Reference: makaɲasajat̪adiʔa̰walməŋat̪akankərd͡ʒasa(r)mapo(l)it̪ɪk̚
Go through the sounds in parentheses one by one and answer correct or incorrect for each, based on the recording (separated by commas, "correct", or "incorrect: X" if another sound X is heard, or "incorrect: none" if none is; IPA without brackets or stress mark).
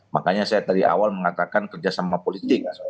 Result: incorrect: none, correct